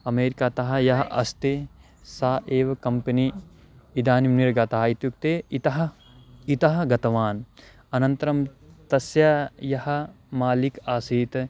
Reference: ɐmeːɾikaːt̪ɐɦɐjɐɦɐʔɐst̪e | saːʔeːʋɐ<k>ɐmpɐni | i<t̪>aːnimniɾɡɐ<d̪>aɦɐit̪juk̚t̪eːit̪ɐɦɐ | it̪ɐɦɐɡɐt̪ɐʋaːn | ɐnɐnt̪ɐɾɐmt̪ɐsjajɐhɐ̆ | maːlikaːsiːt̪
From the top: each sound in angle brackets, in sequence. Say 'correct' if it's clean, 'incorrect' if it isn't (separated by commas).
correct, incorrect, incorrect